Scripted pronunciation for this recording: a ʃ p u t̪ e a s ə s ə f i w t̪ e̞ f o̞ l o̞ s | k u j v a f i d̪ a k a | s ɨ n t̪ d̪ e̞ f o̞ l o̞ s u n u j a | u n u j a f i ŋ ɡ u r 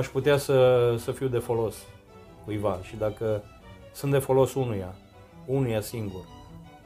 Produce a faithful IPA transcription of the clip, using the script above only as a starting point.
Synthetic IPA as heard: a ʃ p u t̪ e a s ə s ə f i w d̪ e̞ f o̞ l o̞ s | k u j v a ʃ i d̪ a k ə | s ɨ n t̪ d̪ e̞ f o̞ l o̞ s u n u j a | u n u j a s i ŋ ɡ u r